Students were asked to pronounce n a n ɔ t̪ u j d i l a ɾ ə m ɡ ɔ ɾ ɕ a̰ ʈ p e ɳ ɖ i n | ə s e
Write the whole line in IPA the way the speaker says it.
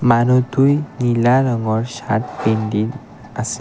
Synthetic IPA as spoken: m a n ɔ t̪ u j n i l a ɾ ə ŋ ɡ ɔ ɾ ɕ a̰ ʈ p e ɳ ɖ i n | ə s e